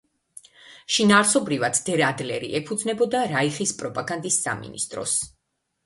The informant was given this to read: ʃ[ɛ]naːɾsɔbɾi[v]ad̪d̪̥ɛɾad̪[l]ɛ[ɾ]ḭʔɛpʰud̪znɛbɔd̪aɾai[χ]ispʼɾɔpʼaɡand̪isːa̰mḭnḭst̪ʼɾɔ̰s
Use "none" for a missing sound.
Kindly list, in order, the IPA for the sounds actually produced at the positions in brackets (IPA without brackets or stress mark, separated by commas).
i, v, l, ɾ, χ